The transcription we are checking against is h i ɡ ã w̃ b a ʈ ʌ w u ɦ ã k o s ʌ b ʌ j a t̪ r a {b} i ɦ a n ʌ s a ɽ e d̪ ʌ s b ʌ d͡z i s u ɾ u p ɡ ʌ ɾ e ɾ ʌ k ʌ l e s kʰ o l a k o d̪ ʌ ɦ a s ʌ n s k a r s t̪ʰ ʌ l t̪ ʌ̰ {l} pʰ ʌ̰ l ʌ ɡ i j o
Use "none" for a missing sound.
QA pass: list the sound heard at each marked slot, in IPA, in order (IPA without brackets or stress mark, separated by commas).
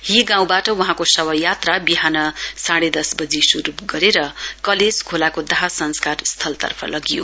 b, r